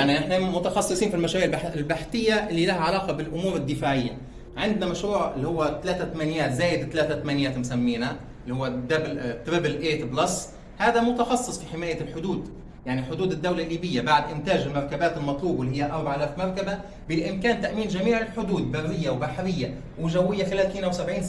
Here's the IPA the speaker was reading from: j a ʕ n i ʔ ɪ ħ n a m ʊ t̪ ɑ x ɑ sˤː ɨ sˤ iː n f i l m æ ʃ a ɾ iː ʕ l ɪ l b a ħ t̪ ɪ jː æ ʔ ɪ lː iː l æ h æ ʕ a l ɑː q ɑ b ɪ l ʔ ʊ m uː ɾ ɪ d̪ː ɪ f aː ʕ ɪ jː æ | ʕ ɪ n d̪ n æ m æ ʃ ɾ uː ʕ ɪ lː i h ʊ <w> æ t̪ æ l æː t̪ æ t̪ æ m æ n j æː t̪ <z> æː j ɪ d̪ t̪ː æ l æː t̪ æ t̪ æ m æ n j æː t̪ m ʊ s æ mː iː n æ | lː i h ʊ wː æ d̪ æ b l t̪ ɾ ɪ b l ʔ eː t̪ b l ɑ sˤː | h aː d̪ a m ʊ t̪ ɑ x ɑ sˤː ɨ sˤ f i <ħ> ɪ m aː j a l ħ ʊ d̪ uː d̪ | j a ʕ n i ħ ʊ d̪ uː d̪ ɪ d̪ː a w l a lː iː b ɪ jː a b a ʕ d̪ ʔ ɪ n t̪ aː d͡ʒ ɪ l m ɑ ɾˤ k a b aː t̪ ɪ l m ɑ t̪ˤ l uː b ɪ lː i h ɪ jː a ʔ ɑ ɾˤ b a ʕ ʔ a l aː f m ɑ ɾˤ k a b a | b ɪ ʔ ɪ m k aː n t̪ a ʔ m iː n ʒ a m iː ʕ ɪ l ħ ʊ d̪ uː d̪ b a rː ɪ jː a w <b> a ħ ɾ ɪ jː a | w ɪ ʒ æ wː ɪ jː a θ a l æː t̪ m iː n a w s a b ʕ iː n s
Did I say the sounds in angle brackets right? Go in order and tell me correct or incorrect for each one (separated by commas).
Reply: incorrect, correct, correct, correct